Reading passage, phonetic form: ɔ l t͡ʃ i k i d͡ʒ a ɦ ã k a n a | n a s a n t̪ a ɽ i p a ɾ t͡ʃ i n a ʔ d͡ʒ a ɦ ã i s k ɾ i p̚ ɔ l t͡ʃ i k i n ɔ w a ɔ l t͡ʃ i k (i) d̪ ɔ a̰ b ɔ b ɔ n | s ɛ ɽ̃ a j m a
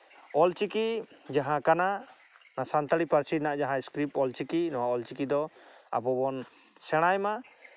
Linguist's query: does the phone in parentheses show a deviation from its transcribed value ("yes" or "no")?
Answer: no